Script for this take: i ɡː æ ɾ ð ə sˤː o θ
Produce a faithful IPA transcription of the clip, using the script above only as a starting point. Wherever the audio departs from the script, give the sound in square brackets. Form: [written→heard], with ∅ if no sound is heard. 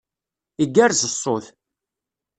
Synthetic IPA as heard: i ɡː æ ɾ [ð→z] ə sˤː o θ